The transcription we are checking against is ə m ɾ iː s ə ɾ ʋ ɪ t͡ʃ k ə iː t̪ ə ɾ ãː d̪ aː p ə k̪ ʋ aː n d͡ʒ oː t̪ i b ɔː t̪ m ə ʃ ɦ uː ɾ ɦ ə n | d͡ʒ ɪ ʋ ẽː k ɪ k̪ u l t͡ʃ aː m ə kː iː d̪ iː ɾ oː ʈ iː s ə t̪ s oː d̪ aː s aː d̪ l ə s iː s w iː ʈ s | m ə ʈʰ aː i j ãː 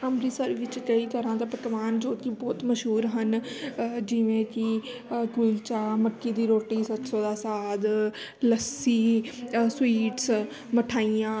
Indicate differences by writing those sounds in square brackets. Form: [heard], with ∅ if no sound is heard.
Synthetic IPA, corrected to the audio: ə m ɾ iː s ə ɾ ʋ ɪ t͡ʃ k ə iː t̪ ə ɾ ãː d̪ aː p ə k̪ ʋ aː n d͡ʒ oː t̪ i b ɔː t̪ m ə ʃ ɦ uː ɾ ɦ ə n | d͡ʒ ɪ ʋ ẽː k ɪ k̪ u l t͡ʃ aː m ə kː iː d̪ iː ɾ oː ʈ iː s ə t̪ s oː d̪ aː s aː d̪ l ə s iː s w iː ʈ s | m ə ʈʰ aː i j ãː